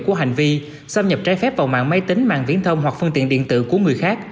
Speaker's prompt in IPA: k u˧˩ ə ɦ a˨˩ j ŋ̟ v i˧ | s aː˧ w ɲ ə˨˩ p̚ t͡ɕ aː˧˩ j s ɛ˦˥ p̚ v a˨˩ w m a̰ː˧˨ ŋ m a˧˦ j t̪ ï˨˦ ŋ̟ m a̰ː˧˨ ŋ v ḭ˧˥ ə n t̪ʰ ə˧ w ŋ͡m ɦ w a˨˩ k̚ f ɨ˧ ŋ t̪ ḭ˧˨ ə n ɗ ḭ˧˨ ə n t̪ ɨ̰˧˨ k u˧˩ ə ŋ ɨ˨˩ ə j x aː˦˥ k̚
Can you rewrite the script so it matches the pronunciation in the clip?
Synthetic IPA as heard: k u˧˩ ə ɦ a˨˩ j ŋ̟ v i˧ | s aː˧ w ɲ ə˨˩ p̚ t͡ɕ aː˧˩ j f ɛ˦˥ p̚ v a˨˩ w m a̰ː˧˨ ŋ m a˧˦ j t̪ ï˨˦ ŋ̟ m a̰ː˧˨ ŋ v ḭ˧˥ ə n t̪ʰ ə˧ w ŋ͡m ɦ w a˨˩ k̚ f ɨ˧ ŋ t̪ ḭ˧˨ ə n ɗ ḭ˧˨ ə n t̪ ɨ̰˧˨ k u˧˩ ə ŋ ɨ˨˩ ə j x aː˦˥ k̚